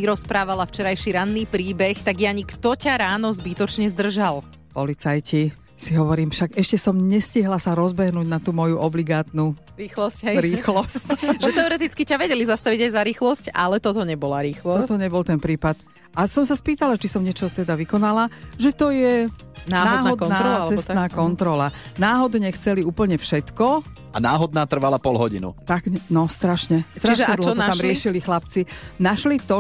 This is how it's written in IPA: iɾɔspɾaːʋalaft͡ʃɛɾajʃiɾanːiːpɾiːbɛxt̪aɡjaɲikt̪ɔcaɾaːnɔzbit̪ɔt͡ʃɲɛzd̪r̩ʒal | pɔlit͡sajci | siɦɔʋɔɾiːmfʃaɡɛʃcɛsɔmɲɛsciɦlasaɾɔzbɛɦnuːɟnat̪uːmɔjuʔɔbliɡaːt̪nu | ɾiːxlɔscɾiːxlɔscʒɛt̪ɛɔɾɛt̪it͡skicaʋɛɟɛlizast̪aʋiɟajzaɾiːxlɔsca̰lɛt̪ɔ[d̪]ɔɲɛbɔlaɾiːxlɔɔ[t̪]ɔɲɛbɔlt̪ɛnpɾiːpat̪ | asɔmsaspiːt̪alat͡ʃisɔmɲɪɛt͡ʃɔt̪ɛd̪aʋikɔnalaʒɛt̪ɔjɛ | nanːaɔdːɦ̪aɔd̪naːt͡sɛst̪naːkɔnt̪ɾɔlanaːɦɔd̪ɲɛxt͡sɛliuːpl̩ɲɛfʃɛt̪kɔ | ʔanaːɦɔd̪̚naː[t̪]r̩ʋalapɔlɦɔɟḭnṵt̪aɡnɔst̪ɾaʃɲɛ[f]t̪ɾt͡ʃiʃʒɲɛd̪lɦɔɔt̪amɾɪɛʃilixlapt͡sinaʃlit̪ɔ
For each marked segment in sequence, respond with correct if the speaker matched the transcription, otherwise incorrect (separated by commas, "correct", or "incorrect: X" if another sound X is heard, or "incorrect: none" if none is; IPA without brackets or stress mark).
incorrect: t̪, correct, correct, incorrect: s